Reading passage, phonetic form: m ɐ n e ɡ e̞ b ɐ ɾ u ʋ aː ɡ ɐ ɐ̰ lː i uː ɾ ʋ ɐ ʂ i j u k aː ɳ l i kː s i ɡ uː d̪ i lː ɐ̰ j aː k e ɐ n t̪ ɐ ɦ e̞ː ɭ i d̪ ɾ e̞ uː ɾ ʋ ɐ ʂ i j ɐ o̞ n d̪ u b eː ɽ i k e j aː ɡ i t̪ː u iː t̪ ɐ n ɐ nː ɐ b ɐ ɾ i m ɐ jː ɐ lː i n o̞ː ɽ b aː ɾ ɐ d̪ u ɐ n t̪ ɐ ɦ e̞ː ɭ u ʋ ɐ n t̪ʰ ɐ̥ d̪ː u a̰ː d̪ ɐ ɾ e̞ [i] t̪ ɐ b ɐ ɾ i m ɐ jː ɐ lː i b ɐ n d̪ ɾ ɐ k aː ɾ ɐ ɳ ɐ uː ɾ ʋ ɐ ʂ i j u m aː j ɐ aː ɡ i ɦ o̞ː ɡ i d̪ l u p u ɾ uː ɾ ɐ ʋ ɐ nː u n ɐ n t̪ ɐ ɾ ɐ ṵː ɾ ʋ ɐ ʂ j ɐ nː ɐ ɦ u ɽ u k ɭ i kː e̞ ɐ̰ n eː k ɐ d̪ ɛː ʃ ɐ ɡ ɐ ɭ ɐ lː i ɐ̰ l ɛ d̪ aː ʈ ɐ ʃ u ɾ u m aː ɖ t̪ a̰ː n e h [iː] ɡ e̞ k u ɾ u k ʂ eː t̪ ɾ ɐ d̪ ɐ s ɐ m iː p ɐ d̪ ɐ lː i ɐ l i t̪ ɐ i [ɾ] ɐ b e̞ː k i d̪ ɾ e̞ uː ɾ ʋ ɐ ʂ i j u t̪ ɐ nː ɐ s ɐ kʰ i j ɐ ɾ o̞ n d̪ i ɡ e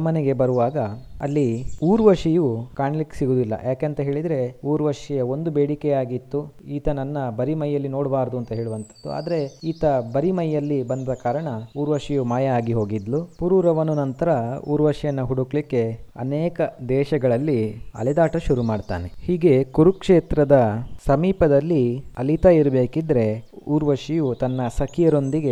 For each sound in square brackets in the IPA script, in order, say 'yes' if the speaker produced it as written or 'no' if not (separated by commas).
no, yes, yes